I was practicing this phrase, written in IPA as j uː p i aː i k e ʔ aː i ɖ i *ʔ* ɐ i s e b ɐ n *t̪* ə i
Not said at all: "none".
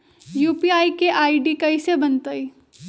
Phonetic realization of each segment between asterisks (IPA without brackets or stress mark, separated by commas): k, t̪